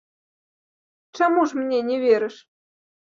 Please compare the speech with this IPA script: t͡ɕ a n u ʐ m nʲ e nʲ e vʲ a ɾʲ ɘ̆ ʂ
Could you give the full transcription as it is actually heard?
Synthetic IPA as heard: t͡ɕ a m u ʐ m nʲ e nʲ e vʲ e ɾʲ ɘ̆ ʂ

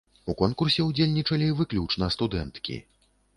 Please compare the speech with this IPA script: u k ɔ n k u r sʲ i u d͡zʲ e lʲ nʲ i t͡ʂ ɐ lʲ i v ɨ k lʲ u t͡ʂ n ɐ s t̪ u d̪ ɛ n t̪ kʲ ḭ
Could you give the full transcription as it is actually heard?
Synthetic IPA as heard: u k ɔ n k u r sʲ ɛ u d͡zʲ e lʲ nʲ i t͡ʂ ɐ lʲ i v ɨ k lʲ u t͡ʂ n ɐ s t̪ u d̪ ɛ n t̪ kʲ ḭ

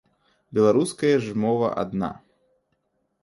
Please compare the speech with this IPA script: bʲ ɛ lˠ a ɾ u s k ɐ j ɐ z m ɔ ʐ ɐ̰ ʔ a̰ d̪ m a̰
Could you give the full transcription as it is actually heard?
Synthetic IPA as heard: bʲ ɛ lˠ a ɾ u s k ɐ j ɐ ʐ m ɔ v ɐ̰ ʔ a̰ d̪ n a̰

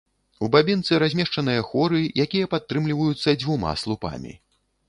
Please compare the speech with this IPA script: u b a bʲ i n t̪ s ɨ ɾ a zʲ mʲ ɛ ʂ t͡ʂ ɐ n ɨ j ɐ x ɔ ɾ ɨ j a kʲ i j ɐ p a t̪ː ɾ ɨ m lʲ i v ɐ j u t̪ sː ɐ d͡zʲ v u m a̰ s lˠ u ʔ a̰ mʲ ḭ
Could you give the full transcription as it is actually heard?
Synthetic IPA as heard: u b a bʲ i n t̪ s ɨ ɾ a zʲ mʲ ɛ ʂ t͡ʂ ɐ n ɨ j ɐ x ɔ ɾ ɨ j a kʲ i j ɐ p a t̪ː ɾ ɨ m lʲ i v ɐ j u t̪ sː ɐ d͡zʲ v u m a̰ s lˠ u p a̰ mʲ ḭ

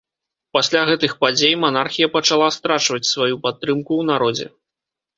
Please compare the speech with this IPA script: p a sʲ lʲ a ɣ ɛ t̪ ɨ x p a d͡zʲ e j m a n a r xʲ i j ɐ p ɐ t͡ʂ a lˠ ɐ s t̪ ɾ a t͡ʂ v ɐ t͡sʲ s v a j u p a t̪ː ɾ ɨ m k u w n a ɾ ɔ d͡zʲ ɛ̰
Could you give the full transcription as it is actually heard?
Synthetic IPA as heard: p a sʲ lʲ a ɣ ɛ t̪ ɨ x p a d͡zʲ e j m a n a r xʲ i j ɐ p ɐ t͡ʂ a lˠ a s t̪ ɾ a t͡ʂ v ɐ t͡sʲ s v a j u p a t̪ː ɾ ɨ m k u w n a ɾ ɔ d͡zʲ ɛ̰

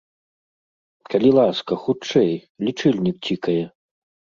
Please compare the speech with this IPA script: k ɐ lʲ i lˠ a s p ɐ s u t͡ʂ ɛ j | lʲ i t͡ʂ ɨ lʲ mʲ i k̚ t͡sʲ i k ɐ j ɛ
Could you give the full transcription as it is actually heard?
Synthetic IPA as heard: k ɐ lʲ i lˠ a s k ɐ x u t͡ʂ ɛ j | lʲ i t͡ʂ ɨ lʲ nʲ i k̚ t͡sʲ i k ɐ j ɛ

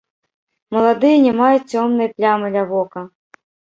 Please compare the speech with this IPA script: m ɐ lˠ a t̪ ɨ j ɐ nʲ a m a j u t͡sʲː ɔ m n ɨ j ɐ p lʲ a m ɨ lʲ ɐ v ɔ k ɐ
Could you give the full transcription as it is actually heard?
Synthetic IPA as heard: m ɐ lˠ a d̪ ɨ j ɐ nʲ ɛ m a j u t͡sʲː ɔ m n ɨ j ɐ p lʲ a m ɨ lʲ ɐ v ɔ k ɐ

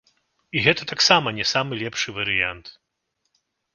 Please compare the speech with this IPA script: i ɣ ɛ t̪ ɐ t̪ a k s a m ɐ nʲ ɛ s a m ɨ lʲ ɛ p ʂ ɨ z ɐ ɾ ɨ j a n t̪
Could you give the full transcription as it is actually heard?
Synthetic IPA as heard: i ɣ ɛ t̪ ɐ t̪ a k s a m ɐ nʲ ɛ s a m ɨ lʲ ɛ p ʂ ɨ v ɐ ɾ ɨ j a n t̪

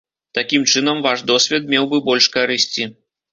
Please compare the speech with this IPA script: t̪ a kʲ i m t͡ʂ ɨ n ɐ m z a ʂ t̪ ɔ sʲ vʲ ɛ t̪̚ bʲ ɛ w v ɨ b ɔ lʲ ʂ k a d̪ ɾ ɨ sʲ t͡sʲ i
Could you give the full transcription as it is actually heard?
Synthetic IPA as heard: t̪ a kʲ i m t͡ʂ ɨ n ɐ m v a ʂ d̪ ɔ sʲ vʲ ɛ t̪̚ mʲ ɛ w b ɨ b ɔ lʲ ʂ k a ɾ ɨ sʲ t͡sʲ i

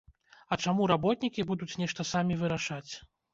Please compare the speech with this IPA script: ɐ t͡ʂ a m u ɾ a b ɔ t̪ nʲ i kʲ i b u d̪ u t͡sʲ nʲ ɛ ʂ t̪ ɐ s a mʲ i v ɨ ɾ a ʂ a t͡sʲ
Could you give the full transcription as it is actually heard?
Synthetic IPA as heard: ɐ t͡ʂ a m u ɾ a b ɔ t̪ nʲ i kʲ i b u d̪ u t͡sʲ nʲ ɛ ʂ t̪ ɐ s a mʲ i v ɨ ɾ a ʂ a t͡sʲ

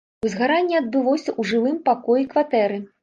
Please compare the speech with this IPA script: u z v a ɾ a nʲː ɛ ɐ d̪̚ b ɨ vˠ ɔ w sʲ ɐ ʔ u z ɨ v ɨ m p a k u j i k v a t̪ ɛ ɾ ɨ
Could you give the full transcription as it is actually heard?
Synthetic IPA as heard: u z ɣ a ɾ a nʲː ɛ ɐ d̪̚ b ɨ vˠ ɔ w sʲ ɐ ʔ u ʐ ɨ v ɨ m p a k ɔ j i k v a t̪ ɛ ɾ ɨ

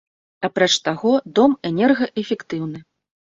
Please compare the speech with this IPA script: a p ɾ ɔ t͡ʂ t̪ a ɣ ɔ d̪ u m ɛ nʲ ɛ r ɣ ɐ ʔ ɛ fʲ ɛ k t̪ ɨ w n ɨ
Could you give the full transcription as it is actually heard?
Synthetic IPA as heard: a p ɾ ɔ t͡ʂ t̪ a ɣ ɔ d̪ ɔ m ɛ nʲ ɛ r ɣ ɐ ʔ ɛ fʲ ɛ k t̪ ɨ w n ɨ

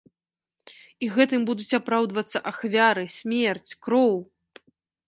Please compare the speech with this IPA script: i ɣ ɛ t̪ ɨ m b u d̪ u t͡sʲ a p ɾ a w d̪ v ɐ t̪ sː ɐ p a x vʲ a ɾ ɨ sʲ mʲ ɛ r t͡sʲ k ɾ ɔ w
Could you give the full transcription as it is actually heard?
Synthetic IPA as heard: i ɣ ɛ t̪ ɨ m b u d̪ u t͡sʲ a p ɾ a w d̪ v ɐ t̪ sː ɐ ʔ a x vʲ a ɾ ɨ sʲ mʲ ɛ r t͡sʲ k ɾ ɔ w

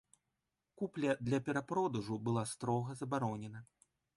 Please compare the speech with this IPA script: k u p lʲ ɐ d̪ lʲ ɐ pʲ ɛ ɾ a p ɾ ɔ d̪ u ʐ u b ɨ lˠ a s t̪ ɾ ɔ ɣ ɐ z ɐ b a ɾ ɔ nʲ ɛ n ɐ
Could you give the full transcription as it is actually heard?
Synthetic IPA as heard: k u p lʲ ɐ d̪ lʲ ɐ pʲ ɛ ɾ a p ɾ ɔ d̪ u ʐ u b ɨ lˠ a s t̪ ɾ ɔ ɣ ɐ z ɐ b a ɾ ɔ nʲ ɛ n ɐ

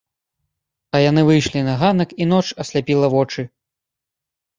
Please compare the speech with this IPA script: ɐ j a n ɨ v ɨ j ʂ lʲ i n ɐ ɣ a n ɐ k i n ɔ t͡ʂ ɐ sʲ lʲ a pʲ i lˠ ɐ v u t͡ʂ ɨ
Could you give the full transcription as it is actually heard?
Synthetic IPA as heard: ɐ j a n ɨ v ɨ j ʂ lʲ i n ɐ ɣ a n ɐ k i n ɔ t͡ʂ ɐ sʲ lʲ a pʲ i lˠ ɐ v ɔ t͡ʂ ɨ

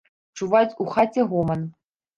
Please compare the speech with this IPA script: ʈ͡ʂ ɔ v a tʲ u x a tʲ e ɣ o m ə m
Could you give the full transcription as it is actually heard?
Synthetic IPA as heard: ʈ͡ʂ u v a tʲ u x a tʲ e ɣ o m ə n

